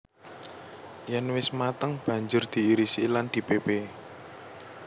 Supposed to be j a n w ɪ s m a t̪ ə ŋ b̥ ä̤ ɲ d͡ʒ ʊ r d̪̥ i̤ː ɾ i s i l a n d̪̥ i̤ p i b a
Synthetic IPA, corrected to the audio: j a n w ɪ s m a t̪ ə ŋ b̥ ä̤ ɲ d͡ʒ ʊ r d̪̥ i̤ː ɾ i s i l a n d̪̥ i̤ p e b e